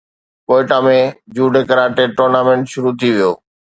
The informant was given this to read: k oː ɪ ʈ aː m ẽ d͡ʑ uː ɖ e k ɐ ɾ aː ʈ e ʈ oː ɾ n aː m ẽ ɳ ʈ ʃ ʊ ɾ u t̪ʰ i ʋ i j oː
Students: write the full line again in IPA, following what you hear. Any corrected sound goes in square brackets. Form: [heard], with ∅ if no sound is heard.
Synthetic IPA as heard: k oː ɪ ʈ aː m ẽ d͡ʑ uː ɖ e k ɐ ɾ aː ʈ e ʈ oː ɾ n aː m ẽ ɳ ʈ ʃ ʊ ɾ u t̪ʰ i ʋ i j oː